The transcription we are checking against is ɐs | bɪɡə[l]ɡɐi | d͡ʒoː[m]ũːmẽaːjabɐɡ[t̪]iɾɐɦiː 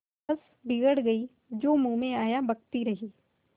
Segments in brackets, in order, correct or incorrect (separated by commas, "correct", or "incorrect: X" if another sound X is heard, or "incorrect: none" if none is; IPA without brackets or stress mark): incorrect: ɽ, correct, correct